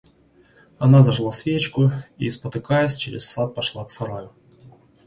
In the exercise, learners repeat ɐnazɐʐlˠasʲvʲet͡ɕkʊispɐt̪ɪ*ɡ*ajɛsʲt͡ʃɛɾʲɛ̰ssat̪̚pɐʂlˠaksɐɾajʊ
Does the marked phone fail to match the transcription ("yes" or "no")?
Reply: yes